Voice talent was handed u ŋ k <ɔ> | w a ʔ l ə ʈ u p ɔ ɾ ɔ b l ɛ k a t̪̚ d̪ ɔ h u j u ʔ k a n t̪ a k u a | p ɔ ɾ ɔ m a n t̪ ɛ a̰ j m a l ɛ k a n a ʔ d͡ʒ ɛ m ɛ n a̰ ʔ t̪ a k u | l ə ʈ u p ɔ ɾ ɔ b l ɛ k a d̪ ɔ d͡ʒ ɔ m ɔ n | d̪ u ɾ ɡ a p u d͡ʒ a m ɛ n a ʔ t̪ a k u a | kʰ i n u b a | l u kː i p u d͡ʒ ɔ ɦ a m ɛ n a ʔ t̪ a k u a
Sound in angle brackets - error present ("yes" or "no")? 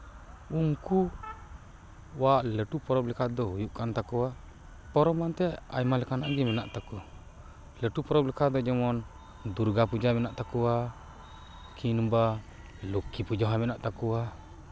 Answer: yes